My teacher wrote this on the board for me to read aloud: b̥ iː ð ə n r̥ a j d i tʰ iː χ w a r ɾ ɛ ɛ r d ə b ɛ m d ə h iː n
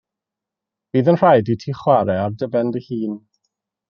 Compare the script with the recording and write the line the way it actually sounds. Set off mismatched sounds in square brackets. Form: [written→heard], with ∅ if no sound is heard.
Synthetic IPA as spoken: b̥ iː ð ə n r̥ a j d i tʰ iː χ w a [r→∅] ɾ ɛ [ɛ→a] r d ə b ɛ [m→n] d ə h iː n